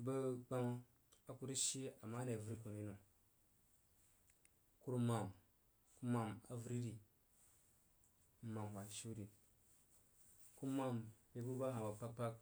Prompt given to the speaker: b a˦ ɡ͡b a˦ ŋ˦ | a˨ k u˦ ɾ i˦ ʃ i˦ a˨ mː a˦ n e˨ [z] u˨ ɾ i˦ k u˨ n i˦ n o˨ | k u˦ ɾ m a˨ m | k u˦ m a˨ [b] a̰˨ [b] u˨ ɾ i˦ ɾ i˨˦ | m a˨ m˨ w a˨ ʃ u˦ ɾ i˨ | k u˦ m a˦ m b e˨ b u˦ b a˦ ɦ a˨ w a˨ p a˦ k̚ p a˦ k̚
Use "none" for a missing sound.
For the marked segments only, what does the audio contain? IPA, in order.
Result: v, m, v

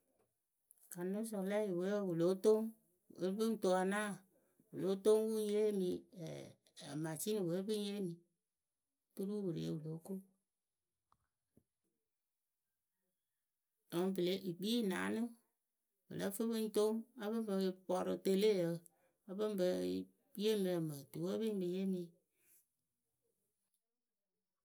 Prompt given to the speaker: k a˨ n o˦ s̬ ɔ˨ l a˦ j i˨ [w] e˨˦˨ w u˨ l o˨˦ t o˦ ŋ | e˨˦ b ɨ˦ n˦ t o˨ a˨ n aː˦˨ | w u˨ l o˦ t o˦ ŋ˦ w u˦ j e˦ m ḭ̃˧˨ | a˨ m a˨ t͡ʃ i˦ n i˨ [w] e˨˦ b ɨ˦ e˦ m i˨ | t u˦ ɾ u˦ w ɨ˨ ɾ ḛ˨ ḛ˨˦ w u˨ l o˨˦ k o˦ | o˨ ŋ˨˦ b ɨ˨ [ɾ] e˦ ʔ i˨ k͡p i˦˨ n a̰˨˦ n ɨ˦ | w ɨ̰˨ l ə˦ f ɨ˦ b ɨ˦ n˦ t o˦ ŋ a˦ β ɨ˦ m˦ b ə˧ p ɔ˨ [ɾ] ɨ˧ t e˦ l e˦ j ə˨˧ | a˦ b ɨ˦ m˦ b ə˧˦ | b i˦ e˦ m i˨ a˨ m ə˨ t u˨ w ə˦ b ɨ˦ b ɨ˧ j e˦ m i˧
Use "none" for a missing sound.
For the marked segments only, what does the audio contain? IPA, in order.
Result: w, w, l, ɾ

